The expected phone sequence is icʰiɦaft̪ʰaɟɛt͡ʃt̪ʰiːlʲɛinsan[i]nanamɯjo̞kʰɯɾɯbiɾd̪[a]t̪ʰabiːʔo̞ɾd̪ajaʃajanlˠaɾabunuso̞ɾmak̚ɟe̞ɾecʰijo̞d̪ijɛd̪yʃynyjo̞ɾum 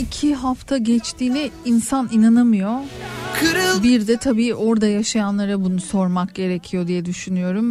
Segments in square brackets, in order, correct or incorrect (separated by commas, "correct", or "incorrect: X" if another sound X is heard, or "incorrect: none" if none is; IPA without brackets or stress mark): correct, incorrect: ɛ